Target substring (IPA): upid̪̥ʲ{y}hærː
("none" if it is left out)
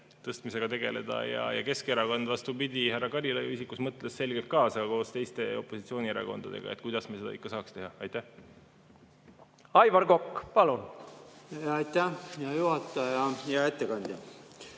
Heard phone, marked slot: i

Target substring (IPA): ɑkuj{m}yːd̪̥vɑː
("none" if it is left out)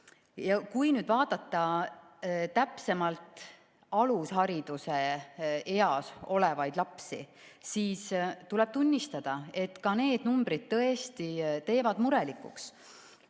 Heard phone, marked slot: n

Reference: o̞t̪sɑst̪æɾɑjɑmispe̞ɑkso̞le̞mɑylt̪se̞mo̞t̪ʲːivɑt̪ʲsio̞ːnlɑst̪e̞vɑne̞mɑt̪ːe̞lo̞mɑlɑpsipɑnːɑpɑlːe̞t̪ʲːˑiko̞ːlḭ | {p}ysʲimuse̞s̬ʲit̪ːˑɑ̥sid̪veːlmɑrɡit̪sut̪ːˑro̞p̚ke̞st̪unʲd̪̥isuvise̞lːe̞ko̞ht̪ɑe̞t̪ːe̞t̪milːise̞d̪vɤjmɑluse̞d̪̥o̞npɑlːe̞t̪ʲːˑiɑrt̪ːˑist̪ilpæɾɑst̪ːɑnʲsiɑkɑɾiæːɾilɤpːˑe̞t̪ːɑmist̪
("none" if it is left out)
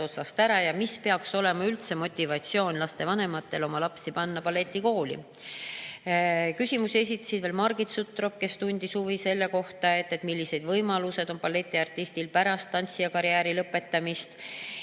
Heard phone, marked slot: k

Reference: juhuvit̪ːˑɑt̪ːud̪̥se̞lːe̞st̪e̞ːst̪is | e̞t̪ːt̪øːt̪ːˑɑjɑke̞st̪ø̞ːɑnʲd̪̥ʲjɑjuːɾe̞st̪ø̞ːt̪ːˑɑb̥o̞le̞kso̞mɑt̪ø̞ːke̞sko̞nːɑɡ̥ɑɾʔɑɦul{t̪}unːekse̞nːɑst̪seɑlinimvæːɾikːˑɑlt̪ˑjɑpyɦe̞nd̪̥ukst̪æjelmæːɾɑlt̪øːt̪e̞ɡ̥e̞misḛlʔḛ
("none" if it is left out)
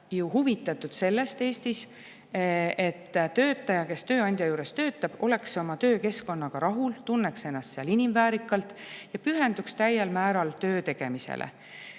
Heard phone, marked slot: t̪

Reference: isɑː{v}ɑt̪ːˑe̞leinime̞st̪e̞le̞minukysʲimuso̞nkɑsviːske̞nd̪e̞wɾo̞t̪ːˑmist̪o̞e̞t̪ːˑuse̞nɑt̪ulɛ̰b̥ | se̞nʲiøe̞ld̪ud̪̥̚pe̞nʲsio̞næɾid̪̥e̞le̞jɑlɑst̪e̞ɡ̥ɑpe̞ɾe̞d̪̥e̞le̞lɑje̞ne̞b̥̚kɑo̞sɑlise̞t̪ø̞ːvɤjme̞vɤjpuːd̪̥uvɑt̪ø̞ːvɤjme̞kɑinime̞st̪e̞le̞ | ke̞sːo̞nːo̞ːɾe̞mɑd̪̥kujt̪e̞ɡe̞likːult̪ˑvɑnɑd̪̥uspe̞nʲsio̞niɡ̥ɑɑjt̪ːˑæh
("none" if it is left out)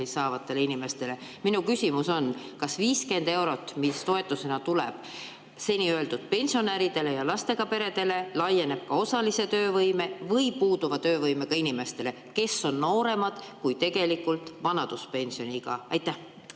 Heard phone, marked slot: v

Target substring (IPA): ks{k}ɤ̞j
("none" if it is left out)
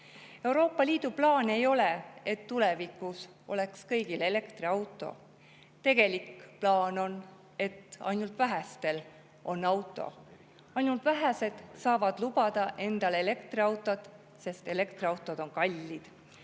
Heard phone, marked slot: k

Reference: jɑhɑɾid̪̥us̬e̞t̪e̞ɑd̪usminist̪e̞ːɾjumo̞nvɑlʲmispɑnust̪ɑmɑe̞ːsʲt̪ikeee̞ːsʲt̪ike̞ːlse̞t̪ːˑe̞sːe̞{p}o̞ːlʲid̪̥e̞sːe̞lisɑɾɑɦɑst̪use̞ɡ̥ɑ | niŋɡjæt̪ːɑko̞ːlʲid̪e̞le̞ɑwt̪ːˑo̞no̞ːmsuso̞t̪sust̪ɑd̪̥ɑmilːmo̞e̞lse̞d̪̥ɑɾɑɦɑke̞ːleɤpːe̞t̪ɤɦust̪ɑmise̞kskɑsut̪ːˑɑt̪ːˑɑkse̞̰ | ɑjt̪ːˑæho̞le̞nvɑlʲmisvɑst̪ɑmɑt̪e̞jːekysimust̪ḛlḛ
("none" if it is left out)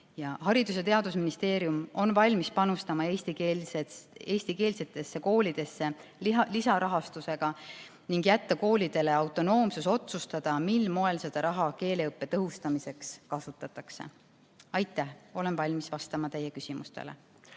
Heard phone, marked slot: k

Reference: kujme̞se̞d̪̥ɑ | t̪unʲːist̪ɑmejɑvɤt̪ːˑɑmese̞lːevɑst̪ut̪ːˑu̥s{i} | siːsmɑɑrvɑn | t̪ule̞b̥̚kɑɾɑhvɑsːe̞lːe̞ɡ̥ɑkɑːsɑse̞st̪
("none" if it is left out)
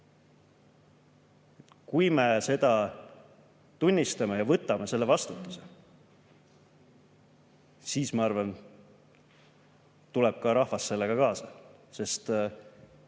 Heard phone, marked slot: e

